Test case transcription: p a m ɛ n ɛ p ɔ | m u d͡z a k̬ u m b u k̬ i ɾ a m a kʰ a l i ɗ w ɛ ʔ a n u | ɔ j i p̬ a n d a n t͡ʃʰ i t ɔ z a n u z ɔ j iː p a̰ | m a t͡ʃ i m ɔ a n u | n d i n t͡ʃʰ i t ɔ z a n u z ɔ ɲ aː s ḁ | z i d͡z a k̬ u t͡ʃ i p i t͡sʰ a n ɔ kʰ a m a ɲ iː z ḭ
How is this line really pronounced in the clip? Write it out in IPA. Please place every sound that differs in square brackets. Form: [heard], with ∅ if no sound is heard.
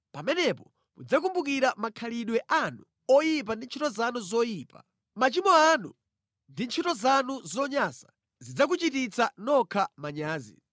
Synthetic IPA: p a m ɛ n ɛ p ɔ | m u d͡z a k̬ u m b u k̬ i ɾ a m a kʰ a l i ɗ w ɛ ʔ a n u | ɔ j i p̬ a n d [i] n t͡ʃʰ i t ɔ z a n u z ɔ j iː p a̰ | m a t͡ʃ i m ɔ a n u | n d i n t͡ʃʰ i t ɔ z a n u z ɔ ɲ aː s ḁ | z i d͡z a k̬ u t͡ʃ i [t] i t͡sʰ a n ɔ kʰ a m a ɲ [aː] z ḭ

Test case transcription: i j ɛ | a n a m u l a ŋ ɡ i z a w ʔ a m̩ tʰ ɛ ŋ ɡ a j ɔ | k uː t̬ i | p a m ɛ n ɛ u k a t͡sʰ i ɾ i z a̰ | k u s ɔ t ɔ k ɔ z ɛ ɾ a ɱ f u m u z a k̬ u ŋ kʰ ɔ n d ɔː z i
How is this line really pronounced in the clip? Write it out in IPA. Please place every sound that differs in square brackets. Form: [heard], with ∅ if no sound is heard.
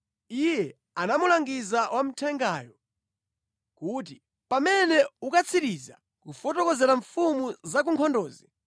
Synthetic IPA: i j ɛ | a n a m u l a ŋ ɡ i z a w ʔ a m̩ tʰ ɛ ŋ ɡ a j ɔ | k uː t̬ i | p a m ɛ n ɛ u k a t͡sʰ i ɾ i z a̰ | k u [f] ɔ t ɔ k ɔ z ɛ ɾ a ɱ f u m u z a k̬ u ŋ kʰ ɔ n d ɔː z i

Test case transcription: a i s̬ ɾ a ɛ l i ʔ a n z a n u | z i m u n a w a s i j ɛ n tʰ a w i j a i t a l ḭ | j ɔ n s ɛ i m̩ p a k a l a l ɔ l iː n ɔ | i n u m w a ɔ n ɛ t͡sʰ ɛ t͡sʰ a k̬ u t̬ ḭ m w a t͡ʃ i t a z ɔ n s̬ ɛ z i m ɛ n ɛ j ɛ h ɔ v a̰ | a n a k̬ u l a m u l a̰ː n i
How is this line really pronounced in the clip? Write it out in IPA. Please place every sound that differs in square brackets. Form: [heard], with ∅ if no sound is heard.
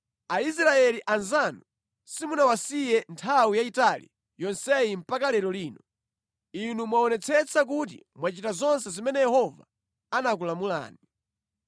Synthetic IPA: a i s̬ ɾ a ɛ l i ʔ a n z a n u | [s] i m u n a w a s i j ɛ n tʰ a w i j a i t a l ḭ | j ɔ n s ɛ i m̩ p a k a l [ɛ] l ɔ l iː n ɔ | i n u m w a ɔ n ɛ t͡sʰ ɛ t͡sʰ a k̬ u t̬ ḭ m w a t͡ʃ i t a z ɔ n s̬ ɛ z i m ɛ n ɛ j ɛ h ɔ v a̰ | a n a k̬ u l a m u l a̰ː n i

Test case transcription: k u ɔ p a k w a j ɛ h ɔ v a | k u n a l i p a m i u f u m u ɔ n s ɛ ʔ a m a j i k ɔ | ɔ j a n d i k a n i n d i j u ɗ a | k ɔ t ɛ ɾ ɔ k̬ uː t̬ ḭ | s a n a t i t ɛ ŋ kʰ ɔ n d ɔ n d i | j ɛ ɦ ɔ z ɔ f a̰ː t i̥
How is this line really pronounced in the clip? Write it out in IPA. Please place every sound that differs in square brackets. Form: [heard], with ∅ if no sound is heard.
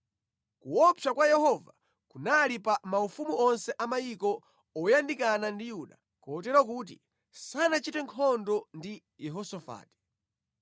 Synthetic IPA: k u ɔ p a k w a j ɛ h ɔ v a | k u n a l i p a m [a] u f u m u ɔ n s ɛ ʔ a m a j i k ɔ | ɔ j a n d i k a n [a] n d i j u ɗ a | k ɔ t ɛ ɾ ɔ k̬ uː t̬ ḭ | s a n a [t͡ʃ] i t ɛ ŋ kʰ ɔ n d ɔ n d i | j ɛ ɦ ɔ [s] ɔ f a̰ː t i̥

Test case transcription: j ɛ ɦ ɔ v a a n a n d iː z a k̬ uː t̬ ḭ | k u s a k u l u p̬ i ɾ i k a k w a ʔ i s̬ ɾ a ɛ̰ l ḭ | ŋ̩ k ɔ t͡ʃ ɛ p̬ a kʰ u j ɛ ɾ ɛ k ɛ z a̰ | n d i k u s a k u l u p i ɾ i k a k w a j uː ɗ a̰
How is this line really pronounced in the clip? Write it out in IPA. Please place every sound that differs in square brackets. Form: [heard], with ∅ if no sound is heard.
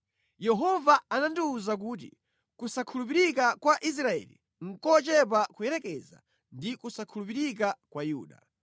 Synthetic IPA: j ɛ ɦ ɔ v a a n a n d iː z a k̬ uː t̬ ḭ | k u s a [kʰ] u l u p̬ i ɾ i k a k w a ʔ i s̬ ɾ a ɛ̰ l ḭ | ŋ̩ k ɔ t͡ʃ ɛ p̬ a [k] u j ɛ ɾ ɛ k ɛ z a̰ | n d i k u s a [kʰ] u l u p i ɾ i k a k w a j uː ɗ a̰

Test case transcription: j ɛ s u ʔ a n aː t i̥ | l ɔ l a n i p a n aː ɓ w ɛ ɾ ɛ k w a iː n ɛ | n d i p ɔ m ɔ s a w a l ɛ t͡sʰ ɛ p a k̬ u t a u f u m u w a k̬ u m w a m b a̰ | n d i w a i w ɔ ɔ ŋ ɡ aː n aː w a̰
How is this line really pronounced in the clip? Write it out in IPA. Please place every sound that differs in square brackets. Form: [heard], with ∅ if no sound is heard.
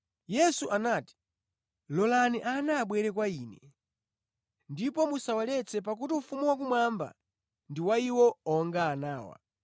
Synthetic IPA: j ɛ s u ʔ a n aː t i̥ | l ɔ l a n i [ʔ] a n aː ɓ w ɛ ɾ ɛ k w a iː n ɛ | n d i p ɔ m [u] s a w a l ɛ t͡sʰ ɛ p a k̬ u t [i] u f u m u w a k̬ u m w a m b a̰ | n d i w a i w ɔ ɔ ŋ ɡ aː n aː w a̰

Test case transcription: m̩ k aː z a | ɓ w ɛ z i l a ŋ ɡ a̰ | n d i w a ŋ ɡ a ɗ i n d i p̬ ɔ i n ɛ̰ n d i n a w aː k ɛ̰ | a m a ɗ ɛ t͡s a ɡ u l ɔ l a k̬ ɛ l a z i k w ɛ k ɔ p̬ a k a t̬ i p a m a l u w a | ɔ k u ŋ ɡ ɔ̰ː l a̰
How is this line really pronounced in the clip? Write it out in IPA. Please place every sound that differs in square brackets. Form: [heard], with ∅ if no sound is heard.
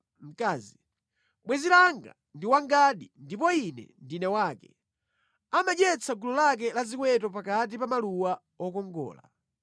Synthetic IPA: m̩ k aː z [i] | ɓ w ɛ z i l a ŋ ɡ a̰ | n d i w a ŋ ɡ a ɗ i n d i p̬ ɔ i n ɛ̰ n d i n [ɛ] w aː k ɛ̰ | a m a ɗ ɛ t͡s a ɡ u l ɔ l a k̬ ɛ l a z i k w ɛ [t] ɔ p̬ a k a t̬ i p a m a l u w a | ɔ k [ɔ] ŋ ɡ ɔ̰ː l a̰

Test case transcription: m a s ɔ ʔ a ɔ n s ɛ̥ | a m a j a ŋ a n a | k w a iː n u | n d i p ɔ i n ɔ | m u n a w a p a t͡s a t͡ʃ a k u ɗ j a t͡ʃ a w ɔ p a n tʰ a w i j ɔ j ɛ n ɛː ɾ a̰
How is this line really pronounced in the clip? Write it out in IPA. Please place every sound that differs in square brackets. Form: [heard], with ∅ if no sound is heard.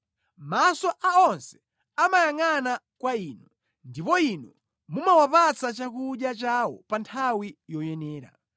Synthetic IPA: m a s ɔ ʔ a ɔ n s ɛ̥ | a m a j a ŋ a n a | k w a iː n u | n d i p ɔ i n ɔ | m u [m] a w a p a t͡s a t͡ʃ a k u ɗ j a t͡ʃ a w ɔ p a n tʰ a w i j ɔ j ɛ n ɛː ɾ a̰

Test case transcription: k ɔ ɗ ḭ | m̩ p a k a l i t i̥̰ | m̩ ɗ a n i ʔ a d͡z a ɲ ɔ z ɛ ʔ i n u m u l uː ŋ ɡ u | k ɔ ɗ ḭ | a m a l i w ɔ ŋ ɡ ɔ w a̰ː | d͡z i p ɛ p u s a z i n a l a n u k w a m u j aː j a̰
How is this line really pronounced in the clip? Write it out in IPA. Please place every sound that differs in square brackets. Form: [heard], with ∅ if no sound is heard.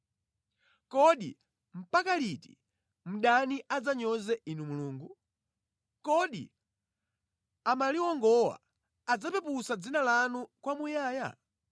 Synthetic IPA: k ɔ ɗ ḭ | m̩ p a k a l i t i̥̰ | m̩ ɗ a n i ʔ a d͡z a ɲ ɔ z ɛ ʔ i n u m u l uː ŋ ɡ u | k ɔ ɗ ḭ | a m a l i w ɔ ŋ ɡ ɔ w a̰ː | d͡z [a] p ɛ p u s a [d͡z] i n a l a n u k w a m u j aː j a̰

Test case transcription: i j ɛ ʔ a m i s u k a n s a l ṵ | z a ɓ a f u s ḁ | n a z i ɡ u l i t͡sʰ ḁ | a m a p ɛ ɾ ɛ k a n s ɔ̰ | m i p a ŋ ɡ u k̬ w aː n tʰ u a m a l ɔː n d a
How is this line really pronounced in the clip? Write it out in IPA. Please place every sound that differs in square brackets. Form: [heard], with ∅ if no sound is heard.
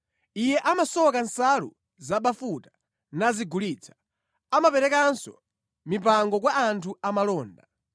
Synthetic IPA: i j ɛ ʔ a m [a] s [ɔ] k a n s a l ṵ | z a ɓ a f u [t] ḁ | n a z i ɡ u l i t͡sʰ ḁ | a m a p ɛ ɾ ɛ k a n s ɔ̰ | m i p a ŋ ɡ [ɔ] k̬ w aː n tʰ u a m a l ɔː n d a

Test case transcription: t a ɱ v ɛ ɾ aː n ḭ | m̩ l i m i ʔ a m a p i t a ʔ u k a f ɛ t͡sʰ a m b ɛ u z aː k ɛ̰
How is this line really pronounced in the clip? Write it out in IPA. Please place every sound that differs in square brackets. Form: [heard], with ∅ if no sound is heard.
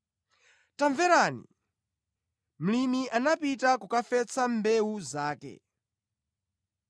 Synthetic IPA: t a ɱ v ɛ ɾ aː n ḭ | m̩ l i m i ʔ a [n] a p i t a [k] u k a f ɛ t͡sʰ a m b ɛ u z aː k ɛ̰

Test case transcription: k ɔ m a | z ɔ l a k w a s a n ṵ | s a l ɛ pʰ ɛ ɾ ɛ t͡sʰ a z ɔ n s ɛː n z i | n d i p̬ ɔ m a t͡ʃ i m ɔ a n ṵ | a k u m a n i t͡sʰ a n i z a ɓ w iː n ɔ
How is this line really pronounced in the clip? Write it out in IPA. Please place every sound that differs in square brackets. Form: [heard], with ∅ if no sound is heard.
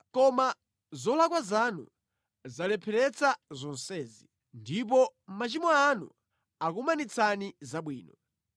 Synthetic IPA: k ɔ m a | z ɔ l a k w a [z] a n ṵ | [z] a l ɛ pʰ ɛ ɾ ɛ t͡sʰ a z ɔ n s ɛː [∅] z i | n d i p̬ ɔ m a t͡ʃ i m ɔ a n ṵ | a k u m a n i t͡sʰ a n i z a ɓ w iː n ɔ

